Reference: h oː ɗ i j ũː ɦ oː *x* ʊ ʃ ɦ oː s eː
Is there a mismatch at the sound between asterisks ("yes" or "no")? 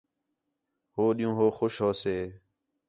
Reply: no